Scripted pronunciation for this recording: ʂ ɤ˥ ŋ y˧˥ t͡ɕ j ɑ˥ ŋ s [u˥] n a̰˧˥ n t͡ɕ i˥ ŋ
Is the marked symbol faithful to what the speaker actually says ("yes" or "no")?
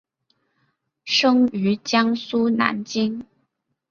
yes